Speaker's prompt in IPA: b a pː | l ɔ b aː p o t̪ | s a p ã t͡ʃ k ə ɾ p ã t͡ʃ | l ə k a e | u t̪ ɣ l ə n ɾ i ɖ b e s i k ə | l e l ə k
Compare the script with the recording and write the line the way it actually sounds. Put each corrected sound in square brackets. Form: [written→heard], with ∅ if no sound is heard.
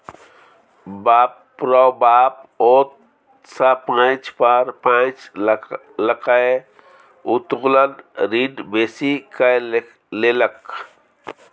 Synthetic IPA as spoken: b a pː | [l→ɾ] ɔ b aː p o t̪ | s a p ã t͡ʃ [k→p] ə ɾ p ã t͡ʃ | l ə k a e | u t̪ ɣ l ə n ɾ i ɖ b e s i k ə | l e l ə k